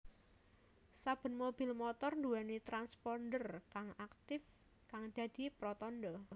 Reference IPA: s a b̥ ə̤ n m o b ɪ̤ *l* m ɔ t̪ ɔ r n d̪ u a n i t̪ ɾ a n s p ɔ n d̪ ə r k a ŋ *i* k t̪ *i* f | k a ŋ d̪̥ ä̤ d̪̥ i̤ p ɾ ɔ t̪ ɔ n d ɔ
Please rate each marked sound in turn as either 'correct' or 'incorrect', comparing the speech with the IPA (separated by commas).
correct, incorrect, incorrect